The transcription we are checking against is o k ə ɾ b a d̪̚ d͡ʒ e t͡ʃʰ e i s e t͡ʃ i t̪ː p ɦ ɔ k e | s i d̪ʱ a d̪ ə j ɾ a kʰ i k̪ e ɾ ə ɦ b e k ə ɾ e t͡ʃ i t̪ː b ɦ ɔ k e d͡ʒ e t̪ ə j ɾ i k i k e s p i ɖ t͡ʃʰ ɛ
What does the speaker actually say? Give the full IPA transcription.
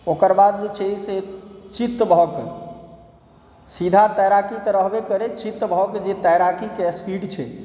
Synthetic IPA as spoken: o k ə ɾ b a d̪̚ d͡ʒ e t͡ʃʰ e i s e t͡ʃ i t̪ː b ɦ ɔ k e | s i d̪ʱ a t̪ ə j ɾ a k i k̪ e ɾ ə ɦ b e k ə ɾ e t͡ʃ i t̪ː b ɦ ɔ k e d͡ʒ e t̪ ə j ɾ a k i k e s p i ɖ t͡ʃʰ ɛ